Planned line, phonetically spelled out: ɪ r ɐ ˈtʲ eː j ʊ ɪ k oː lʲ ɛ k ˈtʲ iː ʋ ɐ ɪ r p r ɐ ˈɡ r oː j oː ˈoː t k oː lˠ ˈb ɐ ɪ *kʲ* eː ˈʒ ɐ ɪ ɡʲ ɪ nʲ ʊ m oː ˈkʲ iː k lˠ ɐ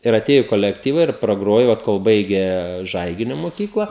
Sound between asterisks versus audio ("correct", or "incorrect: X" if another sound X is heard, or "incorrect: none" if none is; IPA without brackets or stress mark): incorrect: ɡʲ